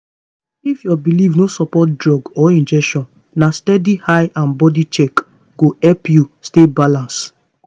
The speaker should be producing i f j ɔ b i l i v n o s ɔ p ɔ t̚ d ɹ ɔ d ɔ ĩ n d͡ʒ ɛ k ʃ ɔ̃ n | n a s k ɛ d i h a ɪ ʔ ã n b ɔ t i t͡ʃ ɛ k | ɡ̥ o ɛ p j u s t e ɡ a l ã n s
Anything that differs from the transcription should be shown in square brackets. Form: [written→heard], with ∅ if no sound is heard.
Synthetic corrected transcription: i f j ɔ b i l i v n o s ɔ p ɔ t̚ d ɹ ɔ [d→ɡ] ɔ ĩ n d͡ʒ ɛ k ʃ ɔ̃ n | n a s [k→t] ɛ d i h a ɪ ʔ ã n b ɔ [t→d] i t͡ʃ ɛ k | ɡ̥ o ɛ p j u s t e [ɡ→b] a l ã n s